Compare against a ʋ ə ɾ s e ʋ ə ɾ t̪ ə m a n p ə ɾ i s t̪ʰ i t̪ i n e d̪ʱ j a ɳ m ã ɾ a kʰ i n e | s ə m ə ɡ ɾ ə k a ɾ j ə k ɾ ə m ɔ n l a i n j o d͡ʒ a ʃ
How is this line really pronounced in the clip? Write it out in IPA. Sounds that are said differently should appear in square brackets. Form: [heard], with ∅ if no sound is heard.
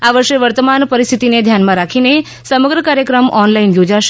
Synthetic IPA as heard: a ʋ ə ɾ [ʃ] e ʋ ə ɾ t̪ ə m a n p ə ɾ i s t̪ʰ i t̪ i n e d̪ʱ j a [n] m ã ɾ a kʰ i n e | s ə m ə ɡ ɾ ə k a ɾ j ə k ɾ ə m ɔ n l a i n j o d͡ʒ a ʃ